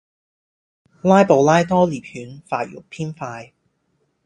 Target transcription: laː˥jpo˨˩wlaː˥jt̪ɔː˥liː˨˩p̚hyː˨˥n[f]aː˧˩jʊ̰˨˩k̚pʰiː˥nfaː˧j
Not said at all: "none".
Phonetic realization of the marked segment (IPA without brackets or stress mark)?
f